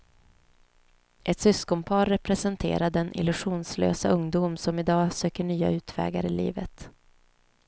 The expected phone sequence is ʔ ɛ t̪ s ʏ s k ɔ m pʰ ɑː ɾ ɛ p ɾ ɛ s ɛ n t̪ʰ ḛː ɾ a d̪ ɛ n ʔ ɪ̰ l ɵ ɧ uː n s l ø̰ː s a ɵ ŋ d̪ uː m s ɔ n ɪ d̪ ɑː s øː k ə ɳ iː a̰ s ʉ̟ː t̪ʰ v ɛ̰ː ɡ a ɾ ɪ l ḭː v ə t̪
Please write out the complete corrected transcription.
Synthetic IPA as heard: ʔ ɛ t̪ s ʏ s k ɔ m pʰ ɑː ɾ ɛ p ɾ ɛ s ɛ n t̪ʰ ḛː ɾ a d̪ ɛ n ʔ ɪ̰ l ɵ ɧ uː n s l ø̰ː s a ɵ ŋ d̪ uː m s ɔ m ɪ d̪ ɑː s øː k ə ɳ yː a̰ ʉ̟ː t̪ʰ v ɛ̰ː ɡ a ɾ ɪ l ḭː v ə t̪